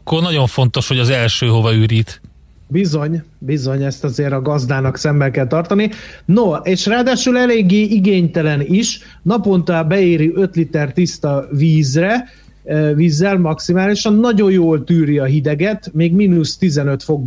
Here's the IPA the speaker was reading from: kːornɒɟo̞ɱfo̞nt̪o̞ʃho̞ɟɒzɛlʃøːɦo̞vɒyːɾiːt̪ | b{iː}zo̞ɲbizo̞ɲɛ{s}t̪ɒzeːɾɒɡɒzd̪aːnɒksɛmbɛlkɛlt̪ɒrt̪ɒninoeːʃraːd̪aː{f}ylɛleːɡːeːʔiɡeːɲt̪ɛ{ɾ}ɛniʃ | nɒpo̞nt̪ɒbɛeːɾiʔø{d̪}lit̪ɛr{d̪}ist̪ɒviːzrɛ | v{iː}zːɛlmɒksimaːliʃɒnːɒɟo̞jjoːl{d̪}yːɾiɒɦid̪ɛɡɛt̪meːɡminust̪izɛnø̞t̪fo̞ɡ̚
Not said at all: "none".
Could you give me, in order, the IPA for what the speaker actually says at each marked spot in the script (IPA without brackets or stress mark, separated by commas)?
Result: i, s, ʃ, l, t̪, t̪, iː, t̪